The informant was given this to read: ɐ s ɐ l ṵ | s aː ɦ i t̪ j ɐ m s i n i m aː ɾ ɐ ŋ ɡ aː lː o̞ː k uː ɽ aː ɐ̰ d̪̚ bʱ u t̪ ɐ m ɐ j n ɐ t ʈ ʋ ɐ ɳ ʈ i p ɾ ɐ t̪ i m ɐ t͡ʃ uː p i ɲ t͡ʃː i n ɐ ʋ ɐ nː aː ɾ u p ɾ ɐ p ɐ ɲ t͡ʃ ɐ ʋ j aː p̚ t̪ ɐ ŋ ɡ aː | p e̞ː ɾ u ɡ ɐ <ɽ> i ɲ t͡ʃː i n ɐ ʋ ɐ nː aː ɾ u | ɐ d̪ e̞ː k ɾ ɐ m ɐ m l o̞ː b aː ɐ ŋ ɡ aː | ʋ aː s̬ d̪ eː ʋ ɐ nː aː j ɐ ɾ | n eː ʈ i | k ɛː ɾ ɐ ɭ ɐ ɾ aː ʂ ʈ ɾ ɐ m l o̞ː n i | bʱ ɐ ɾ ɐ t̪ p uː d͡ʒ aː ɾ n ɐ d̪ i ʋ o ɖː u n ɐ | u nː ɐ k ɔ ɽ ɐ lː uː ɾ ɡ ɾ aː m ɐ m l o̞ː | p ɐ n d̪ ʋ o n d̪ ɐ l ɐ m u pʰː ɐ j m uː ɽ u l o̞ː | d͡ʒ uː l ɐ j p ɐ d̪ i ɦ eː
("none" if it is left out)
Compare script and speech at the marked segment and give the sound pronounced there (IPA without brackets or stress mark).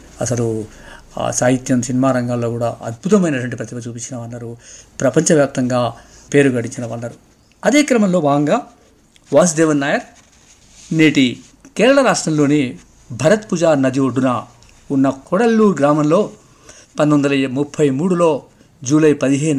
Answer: ɽ